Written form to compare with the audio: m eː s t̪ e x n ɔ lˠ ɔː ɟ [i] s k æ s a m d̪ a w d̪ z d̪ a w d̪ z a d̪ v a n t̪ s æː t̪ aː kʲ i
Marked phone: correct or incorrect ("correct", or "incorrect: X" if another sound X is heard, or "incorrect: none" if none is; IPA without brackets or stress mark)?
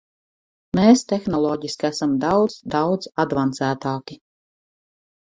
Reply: correct